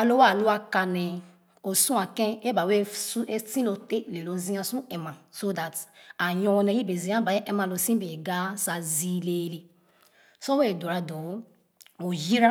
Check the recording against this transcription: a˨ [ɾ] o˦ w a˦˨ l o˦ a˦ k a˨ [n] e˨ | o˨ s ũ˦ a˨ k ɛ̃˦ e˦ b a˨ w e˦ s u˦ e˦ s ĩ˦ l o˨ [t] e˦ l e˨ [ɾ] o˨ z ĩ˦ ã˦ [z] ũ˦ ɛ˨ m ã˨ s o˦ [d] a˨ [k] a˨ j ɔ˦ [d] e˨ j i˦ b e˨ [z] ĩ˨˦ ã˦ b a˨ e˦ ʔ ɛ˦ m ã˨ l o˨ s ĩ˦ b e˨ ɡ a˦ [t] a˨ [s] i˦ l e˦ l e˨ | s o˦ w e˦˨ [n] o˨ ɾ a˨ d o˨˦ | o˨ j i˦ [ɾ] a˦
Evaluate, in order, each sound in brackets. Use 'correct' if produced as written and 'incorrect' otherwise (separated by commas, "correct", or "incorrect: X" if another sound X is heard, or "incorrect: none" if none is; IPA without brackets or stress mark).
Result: incorrect: l, correct, correct, incorrect: l, incorrect: s, correct, incorrect: t, incorrect: n, correct, incorrect: s, incorrect: z, incorrect: d, correct